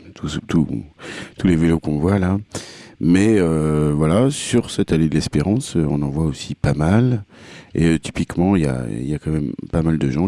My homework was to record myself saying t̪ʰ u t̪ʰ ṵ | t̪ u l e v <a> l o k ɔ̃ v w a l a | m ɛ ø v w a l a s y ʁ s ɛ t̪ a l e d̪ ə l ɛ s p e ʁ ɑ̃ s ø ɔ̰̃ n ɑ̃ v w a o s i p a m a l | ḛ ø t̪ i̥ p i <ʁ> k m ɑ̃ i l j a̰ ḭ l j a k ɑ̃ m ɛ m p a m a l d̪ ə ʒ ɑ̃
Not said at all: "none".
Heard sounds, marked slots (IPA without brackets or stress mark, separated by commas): e, none